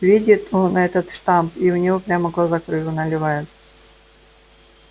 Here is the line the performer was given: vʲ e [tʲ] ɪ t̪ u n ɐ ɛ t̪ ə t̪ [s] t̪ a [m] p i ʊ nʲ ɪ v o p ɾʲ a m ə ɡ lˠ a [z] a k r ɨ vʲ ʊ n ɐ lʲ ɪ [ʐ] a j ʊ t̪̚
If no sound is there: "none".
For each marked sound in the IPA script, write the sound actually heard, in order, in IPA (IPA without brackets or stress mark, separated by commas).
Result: dʲ, ʂ, m, z, v